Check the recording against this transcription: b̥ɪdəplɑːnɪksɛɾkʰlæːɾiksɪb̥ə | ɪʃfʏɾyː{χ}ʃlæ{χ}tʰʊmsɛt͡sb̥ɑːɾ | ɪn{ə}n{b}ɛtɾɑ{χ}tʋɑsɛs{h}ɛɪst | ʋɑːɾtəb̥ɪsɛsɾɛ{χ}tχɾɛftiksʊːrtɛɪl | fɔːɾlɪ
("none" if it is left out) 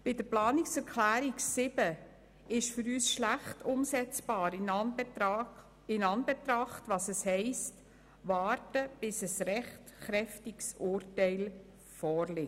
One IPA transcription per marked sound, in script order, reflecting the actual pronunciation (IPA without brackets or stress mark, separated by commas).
s, χ, ɑ, b, χ, h, χ